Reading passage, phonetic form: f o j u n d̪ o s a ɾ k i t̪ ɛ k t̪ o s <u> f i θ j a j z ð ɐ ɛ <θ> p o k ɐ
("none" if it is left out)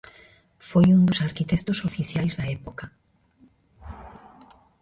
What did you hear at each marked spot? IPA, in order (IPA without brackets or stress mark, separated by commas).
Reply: o, none